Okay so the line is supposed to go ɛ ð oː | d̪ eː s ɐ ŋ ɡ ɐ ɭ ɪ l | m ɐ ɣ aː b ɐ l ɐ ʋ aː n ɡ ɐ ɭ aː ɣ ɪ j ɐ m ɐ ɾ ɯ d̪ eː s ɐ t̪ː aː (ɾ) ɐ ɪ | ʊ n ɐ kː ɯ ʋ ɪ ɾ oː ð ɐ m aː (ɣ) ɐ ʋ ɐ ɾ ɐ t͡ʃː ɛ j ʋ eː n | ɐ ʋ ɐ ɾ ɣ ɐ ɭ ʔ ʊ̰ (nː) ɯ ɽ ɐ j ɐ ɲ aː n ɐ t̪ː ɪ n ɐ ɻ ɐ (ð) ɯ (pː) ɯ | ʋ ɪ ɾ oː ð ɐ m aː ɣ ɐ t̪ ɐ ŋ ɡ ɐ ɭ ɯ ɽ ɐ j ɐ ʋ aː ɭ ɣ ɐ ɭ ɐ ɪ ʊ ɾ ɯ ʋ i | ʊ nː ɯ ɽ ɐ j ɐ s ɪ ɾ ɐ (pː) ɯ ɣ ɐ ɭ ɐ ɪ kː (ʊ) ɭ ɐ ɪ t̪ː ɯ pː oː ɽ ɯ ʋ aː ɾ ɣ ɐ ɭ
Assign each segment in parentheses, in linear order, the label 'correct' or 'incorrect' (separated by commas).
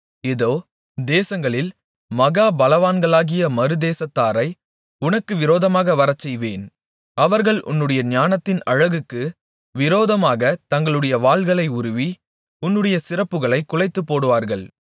correct, correct, correct, incorrect, incorrect, correct, correct